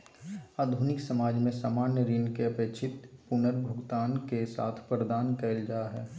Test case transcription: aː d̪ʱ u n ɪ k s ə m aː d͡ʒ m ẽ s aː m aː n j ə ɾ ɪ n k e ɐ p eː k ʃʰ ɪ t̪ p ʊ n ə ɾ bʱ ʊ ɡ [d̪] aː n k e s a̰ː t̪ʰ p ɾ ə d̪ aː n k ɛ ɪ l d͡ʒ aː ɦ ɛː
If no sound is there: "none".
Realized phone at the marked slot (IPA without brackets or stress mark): t̪